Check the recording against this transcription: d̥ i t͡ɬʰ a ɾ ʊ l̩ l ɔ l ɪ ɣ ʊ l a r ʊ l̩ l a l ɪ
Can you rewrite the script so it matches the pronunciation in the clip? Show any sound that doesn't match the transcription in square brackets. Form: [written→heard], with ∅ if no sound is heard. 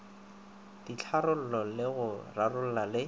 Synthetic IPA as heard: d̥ i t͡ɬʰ a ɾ ʊ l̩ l ɔ l ɪ ɣ ʊ [l→r] a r ʊ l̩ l a l ɪ